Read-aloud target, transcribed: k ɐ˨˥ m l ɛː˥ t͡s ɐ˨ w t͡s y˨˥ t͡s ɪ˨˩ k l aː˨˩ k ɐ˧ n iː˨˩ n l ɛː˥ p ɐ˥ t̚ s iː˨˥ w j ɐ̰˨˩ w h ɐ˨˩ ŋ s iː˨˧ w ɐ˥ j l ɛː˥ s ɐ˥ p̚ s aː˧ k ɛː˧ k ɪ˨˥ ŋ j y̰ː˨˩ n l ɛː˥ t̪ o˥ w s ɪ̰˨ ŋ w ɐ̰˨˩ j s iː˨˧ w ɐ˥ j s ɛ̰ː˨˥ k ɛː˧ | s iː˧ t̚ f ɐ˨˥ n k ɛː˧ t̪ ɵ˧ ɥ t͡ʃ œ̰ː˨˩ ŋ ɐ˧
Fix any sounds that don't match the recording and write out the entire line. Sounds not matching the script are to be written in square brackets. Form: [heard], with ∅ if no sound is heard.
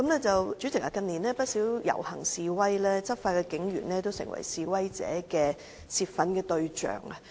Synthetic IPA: k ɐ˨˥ m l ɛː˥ t͡s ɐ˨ w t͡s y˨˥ t͡s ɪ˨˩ k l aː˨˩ k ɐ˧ n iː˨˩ n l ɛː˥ p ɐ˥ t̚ s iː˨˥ w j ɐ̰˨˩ w h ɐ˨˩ ŋ s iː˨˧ w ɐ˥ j l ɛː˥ [t͡s] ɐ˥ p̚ [f] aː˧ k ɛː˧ k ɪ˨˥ ŋ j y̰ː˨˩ n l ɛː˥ t̪ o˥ w s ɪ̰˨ ŋ w ɐ̰˨˩ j s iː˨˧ w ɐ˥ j [t͡s] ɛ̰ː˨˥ k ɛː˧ | s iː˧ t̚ f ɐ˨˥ n k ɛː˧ t̪ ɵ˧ ɥ t͡ʃ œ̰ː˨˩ ŋ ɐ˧